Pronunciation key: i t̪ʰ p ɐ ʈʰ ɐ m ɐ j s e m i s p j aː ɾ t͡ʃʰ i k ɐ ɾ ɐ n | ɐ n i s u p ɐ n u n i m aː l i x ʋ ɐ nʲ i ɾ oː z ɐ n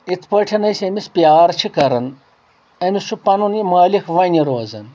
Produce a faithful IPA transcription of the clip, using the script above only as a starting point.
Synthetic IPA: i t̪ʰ p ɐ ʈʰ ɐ n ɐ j s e m i s p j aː ɾ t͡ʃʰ i k ɐ ɾ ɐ n | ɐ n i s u p ɐ n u n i m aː l i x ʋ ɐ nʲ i ɾ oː z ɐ n